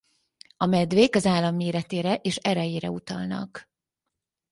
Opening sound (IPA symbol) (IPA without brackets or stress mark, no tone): ɒ